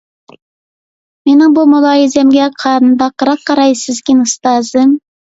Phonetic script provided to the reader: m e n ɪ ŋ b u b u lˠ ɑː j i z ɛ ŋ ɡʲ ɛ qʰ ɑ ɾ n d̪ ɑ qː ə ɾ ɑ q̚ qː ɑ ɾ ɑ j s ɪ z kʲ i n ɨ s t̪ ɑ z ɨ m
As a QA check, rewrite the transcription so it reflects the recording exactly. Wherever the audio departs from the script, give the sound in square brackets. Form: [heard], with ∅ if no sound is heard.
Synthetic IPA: m e n ɪ ŋ b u [m] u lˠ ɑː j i z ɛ [m] ɡʲ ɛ qʰ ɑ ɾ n d̪ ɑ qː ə ɾ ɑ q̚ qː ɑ ɾ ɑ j s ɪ z kʲ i n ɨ s t̪ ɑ z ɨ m

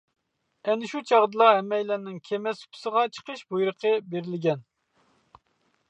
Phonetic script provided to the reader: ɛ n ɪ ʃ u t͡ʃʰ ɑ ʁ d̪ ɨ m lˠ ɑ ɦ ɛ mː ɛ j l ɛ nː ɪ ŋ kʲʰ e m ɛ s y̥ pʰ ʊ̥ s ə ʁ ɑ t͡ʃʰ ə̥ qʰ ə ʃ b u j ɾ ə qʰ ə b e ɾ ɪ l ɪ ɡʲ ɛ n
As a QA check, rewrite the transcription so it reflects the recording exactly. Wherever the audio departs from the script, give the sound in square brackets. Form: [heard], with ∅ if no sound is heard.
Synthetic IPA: ɛ n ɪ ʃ u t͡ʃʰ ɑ ʁ d̪ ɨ [∅] lˠ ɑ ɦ ɛ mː ɛ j l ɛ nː ɪ ŋ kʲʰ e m ɛ s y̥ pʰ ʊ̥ s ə ʁ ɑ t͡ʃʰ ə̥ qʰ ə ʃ b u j ɾ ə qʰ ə b e ɾ ɪ l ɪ ɡʲ ɛ n

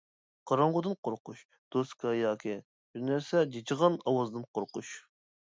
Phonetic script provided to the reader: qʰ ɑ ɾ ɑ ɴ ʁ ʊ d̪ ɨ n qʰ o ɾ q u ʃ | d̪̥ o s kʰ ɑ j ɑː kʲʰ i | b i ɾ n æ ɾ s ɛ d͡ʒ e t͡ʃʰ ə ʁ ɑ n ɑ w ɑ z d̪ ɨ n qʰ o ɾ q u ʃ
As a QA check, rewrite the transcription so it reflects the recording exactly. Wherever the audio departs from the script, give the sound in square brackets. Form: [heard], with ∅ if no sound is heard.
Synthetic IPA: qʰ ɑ ɾ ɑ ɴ ʁ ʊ d̪ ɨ n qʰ o ɾ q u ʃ | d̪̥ o s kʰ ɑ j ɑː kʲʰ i | b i ɾ n æ ɾ s ɛ d͡ʒ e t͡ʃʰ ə ʁ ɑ n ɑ w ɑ z d̪ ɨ n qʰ o ɾ q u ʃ

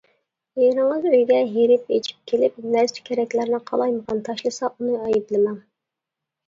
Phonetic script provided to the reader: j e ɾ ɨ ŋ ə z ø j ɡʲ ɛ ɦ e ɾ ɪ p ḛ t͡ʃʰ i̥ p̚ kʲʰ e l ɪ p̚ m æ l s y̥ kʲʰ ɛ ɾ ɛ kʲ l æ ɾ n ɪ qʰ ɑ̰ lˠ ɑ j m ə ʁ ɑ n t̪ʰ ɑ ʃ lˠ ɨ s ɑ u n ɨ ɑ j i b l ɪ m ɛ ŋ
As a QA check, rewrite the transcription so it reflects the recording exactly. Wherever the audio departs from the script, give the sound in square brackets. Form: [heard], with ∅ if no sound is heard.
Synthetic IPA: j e ɾ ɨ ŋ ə z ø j ɡʲ ɛ ɦ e ɾ ɪ p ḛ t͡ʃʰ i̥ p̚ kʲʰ e l ɪ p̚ [n] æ [ɾ] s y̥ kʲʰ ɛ ɾ ɛ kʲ l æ ɾ n ɪ qʰ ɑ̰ lˠ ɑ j m ə ʁ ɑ n t̪ʰ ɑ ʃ lˠ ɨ s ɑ u n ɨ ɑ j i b l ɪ m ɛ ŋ

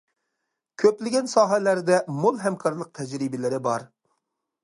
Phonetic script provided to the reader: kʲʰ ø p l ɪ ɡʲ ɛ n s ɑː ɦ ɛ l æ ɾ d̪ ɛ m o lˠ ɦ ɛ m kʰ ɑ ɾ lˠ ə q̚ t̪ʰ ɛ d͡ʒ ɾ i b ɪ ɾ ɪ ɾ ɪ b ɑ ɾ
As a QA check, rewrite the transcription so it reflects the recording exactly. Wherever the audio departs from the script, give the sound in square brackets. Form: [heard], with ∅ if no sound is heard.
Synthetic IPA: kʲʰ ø p l ɪ ɡʲ ɛ n s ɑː ɦ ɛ l æ ɾ d̪ ɛ m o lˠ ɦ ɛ m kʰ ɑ ɾ lˠ ə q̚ t̪ʰ ɛ d͡ʒ ɾ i b ɪ [l] ɪ ɾ ɪ b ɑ ɾ

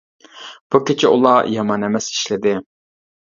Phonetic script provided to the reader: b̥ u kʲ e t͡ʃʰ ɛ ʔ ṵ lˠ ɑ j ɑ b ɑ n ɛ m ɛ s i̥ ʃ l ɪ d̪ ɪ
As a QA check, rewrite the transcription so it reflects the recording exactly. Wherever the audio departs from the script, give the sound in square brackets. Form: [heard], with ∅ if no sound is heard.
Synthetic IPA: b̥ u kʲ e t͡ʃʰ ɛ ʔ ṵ lˠ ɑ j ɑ [m] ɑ n ɛ m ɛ s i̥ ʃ l ɪ d̪ ɪ

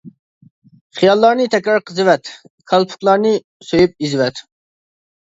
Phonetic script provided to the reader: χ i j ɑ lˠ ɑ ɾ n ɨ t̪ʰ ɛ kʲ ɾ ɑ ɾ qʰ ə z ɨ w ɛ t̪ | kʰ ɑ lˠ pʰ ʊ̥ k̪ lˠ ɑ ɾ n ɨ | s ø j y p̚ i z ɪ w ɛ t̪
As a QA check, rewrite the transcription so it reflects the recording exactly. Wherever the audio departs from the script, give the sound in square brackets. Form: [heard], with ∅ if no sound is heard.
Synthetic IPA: χ i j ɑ [lˠː] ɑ ɾ n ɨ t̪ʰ ɛ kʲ ɾ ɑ ɾ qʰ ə z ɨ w ɛ t̪ | kʰ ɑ lˠ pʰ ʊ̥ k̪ lˠ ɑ ɾ n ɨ | s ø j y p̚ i z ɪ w ɛ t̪

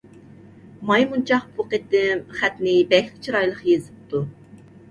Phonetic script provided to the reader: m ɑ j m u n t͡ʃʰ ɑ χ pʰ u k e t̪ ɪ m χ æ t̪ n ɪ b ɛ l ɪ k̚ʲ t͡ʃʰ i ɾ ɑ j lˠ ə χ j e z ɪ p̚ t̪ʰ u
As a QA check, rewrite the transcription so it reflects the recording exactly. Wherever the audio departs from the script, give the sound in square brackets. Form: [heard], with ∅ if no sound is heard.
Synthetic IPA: m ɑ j m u n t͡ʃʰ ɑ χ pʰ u [q] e t̪ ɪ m χ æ t̪ n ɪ b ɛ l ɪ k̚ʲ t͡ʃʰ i ɾ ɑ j lˠ ə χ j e z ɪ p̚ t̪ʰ u

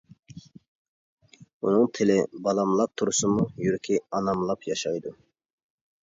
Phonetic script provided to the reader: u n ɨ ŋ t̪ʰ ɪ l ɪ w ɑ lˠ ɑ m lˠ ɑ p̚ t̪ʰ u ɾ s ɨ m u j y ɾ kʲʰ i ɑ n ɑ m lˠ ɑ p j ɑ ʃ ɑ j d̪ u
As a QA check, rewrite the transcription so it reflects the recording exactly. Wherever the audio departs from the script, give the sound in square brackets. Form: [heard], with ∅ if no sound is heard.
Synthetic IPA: u n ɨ ŋ t̪ʰ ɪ l ɪ [b] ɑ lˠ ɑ m lˠ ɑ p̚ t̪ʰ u ɾ s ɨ m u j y ɾ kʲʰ i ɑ n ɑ m lˠ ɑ p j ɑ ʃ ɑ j d̪ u

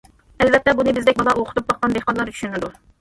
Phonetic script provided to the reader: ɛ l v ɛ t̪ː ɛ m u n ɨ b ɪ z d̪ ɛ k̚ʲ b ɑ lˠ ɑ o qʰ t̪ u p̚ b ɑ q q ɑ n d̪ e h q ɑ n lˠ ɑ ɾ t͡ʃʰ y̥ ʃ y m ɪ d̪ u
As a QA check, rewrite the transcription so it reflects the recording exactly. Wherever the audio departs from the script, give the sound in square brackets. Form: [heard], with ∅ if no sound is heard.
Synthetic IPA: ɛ l v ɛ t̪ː ɛ [b] u n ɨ b ɪ z d̪ ɛ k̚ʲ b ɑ lˠ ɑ o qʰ t̪ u p̚ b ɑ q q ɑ n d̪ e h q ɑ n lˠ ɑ ɾ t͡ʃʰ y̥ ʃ y [n] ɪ d̪ u

